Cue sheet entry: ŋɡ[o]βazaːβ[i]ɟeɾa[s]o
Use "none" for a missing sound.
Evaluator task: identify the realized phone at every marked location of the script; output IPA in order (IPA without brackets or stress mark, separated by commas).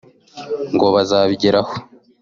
o, i, h